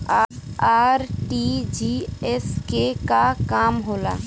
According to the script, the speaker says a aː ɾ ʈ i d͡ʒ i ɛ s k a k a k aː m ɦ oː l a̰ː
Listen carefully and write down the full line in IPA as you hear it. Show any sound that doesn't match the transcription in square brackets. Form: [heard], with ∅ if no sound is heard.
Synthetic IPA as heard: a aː ɾ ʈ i d͡ʒ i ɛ s k [e] k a k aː m ɦ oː l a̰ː